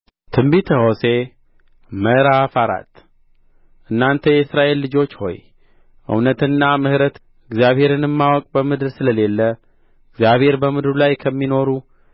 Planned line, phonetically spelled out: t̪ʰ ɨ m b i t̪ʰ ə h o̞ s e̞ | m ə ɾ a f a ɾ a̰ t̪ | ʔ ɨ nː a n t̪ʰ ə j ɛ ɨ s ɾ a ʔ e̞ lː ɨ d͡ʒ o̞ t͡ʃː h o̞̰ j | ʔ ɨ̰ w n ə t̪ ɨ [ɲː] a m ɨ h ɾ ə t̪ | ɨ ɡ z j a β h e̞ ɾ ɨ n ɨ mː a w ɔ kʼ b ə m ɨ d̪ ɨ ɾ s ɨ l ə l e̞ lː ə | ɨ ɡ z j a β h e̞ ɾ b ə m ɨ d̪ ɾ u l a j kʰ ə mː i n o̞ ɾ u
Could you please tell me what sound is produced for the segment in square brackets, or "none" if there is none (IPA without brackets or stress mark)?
nː